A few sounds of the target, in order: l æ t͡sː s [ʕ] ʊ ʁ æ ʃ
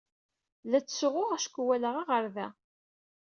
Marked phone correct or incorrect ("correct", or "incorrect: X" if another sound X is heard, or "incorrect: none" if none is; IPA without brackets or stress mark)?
incorrect: ʁ